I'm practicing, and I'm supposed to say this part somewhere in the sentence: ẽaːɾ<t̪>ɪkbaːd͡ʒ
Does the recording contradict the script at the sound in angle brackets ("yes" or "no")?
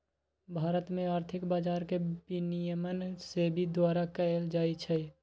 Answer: yes